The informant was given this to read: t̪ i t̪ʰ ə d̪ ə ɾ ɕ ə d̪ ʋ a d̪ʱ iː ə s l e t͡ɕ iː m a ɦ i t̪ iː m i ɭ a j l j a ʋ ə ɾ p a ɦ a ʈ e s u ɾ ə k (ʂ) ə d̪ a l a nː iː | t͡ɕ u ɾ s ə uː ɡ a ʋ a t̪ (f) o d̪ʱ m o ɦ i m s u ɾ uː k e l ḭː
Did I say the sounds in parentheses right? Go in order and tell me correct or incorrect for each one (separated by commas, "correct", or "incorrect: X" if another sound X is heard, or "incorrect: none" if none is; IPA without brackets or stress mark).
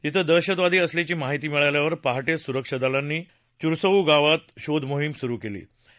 correct, incorrect: ɕ